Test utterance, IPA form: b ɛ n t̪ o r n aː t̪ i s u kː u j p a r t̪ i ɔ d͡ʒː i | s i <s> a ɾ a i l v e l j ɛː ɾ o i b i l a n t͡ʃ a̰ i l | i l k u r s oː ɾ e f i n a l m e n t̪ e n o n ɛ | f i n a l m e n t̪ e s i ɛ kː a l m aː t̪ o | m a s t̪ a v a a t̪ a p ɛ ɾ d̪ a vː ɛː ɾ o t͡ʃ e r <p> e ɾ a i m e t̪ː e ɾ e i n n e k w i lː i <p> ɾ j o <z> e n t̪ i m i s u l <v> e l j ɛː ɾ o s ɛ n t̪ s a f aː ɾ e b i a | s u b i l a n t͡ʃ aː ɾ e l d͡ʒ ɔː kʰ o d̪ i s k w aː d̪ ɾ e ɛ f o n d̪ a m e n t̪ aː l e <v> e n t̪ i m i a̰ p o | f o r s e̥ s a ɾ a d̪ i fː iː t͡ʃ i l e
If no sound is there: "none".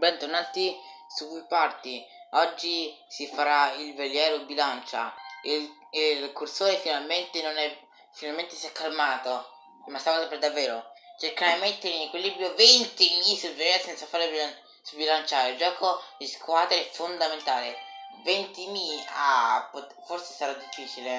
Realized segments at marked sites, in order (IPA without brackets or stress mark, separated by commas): f, k, b, v, v, v